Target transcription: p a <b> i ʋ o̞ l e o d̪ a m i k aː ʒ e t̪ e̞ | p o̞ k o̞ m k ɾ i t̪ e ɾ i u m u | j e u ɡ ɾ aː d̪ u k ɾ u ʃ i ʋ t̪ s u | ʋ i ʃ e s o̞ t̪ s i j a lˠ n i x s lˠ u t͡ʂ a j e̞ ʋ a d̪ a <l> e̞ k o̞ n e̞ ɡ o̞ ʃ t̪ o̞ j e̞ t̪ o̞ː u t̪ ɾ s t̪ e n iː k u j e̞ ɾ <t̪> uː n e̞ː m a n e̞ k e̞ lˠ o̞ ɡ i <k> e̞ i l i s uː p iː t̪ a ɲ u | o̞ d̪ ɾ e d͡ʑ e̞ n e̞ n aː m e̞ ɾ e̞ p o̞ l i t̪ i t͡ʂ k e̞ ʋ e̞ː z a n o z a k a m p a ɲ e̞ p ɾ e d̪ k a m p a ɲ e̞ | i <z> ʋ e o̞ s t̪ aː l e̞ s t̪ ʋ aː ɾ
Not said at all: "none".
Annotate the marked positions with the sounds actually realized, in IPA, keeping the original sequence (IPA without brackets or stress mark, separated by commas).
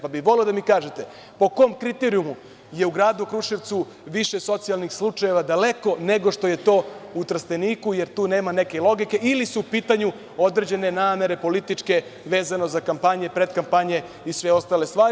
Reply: b, l, t̪, k, s